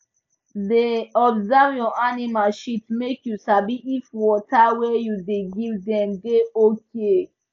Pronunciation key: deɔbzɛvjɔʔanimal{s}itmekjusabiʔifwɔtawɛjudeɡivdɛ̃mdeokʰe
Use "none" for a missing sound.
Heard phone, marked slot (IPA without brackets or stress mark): ʃ